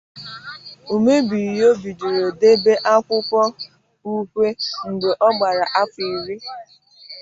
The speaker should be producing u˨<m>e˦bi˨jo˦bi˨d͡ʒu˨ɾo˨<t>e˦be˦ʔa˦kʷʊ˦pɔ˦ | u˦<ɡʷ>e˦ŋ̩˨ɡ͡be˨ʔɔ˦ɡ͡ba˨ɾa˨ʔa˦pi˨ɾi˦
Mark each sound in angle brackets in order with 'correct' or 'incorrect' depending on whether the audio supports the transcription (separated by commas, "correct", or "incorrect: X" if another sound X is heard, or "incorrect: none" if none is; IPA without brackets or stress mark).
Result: correct, incorrect: d, incorrect: kʷ